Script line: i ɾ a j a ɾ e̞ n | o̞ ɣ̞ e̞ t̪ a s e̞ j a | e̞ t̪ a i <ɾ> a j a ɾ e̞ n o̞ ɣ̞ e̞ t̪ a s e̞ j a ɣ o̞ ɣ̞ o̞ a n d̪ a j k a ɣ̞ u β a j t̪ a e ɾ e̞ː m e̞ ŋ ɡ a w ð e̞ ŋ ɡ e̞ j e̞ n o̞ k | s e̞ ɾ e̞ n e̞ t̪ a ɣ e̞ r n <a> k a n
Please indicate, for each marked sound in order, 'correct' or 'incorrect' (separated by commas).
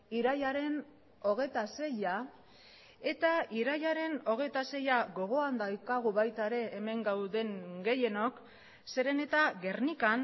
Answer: correct, incorrect